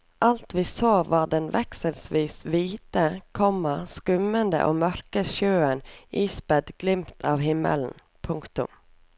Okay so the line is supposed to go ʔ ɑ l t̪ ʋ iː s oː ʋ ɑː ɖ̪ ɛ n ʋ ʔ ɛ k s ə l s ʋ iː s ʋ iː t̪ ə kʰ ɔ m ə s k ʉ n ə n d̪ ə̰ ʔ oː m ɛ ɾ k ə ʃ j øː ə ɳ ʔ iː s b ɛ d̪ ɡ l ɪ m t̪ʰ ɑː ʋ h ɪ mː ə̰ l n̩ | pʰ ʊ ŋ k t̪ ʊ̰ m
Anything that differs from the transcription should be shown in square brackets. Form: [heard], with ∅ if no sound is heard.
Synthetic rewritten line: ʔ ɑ l t̪ ʋ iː s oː ʋ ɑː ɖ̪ ɛ n ʋ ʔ ɛ k s ə l s ʋ iː s ʋ iː t̪ ə kʰ ɔ m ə s k ʉ [m] ə n d̪ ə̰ ʔ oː m [œ] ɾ k ə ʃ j øː ə [n] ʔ iː s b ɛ d̪ ɡ l ɪ m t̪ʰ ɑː ʋ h ɪ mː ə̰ l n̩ | pʰ ʊ ŋ k t̪ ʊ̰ m